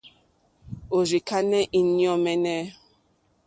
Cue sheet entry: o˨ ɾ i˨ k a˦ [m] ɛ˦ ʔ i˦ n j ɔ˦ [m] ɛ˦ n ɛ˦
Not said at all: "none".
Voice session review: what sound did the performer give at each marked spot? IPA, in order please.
n, m

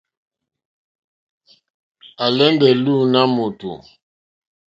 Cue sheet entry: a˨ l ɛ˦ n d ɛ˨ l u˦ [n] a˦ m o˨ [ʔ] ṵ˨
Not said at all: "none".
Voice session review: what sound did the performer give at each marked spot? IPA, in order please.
n, t

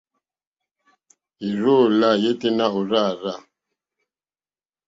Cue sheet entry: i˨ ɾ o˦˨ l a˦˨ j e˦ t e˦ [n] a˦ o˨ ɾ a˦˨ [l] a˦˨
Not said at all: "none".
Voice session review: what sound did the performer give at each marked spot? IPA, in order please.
n, ɾ

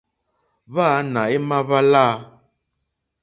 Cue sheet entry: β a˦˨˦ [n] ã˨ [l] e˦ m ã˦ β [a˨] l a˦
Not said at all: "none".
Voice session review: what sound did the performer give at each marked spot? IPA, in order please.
n, none, a˦

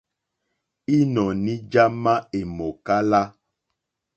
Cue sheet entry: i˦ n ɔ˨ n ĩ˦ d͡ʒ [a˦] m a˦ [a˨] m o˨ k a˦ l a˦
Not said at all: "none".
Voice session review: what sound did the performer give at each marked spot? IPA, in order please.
a˦, e˨

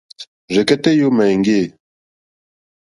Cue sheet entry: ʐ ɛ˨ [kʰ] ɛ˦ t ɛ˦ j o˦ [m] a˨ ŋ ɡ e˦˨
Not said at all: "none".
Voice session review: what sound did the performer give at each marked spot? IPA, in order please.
k, m

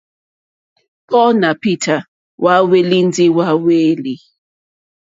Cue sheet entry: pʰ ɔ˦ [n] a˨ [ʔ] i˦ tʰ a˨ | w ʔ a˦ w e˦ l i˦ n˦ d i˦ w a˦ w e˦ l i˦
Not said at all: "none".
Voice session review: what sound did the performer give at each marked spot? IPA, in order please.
n, p

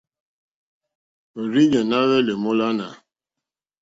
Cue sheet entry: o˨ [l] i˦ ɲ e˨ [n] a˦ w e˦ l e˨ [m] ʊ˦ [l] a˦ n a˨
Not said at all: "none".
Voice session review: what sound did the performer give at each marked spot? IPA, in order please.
ɾ, n, m, l

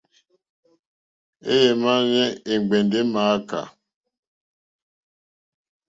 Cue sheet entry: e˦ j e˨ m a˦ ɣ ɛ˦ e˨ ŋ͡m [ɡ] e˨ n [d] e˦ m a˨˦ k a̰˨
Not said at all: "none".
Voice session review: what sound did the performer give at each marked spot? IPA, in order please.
ɡ͡b, d

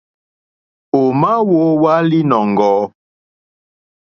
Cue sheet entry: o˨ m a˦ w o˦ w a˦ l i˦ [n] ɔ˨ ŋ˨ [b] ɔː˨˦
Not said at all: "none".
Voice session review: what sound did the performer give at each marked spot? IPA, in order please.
n, ɡ

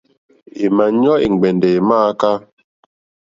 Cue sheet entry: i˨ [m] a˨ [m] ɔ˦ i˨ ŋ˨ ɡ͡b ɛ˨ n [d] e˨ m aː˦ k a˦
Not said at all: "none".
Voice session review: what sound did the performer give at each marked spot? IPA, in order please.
m, ɲ, d

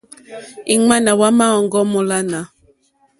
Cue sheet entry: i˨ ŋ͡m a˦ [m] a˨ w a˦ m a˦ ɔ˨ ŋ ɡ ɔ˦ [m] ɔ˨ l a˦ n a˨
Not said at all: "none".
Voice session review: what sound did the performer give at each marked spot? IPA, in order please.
n, m

